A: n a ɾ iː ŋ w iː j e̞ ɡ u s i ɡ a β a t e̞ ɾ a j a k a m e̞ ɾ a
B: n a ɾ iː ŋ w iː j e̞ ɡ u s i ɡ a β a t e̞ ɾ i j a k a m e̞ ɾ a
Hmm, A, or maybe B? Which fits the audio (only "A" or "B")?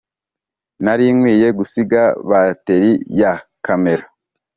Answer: B